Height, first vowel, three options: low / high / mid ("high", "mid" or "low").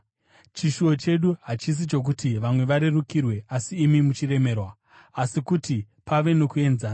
high